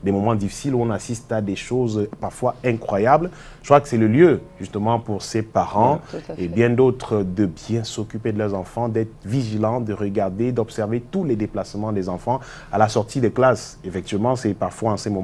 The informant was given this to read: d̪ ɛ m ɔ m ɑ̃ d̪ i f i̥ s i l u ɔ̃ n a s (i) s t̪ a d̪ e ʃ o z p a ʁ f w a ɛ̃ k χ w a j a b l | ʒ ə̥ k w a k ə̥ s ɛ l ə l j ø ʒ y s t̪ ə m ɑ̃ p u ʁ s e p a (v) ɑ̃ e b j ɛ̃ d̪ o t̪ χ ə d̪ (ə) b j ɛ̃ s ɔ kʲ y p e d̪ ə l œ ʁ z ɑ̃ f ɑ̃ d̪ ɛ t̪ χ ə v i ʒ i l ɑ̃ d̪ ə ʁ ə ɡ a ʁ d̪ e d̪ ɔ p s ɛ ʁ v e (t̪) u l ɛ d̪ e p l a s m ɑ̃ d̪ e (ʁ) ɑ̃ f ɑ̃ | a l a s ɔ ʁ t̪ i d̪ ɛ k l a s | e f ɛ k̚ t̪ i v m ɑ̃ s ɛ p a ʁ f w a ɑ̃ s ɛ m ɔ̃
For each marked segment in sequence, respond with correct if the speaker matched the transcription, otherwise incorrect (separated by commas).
correct, incorrect, correct, correct, incorrect